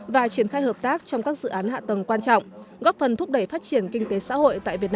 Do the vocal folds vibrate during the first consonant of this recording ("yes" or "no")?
yes